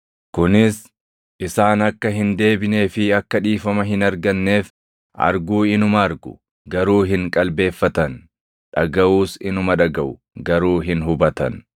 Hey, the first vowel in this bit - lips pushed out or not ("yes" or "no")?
yes